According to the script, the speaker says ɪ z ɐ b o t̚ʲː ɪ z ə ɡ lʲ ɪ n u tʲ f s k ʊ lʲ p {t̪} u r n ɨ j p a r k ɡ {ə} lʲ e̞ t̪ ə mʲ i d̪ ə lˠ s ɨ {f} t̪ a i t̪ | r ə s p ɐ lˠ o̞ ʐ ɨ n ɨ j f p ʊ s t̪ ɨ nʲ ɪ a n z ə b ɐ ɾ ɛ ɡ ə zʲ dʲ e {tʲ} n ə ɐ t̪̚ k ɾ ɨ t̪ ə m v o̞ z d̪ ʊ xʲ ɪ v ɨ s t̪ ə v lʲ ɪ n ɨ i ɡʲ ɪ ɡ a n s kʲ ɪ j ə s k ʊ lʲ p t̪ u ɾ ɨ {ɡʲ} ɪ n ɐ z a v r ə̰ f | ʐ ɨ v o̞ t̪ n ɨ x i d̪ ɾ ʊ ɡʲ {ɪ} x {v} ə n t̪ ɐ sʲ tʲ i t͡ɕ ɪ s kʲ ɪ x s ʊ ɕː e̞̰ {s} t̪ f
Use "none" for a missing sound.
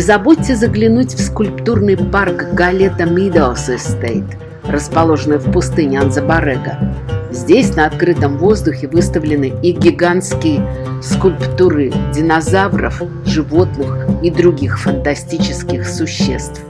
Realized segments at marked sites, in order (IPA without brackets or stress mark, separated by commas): t̪, ɐ, s, sʲ, dʲ, i, f, s